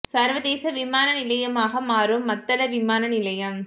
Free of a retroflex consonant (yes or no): yes